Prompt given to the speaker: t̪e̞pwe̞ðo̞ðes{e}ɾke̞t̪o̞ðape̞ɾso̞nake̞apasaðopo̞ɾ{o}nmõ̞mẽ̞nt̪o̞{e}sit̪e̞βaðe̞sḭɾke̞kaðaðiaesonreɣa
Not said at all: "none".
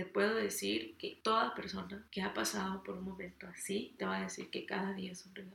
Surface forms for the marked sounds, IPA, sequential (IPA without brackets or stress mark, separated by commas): i, u, a